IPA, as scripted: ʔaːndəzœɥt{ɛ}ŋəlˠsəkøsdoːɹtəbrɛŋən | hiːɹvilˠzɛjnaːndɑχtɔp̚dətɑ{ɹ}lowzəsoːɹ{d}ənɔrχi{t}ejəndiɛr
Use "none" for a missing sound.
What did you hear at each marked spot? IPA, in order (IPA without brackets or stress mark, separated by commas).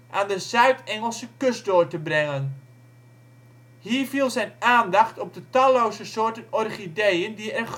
ɛ, none, t, d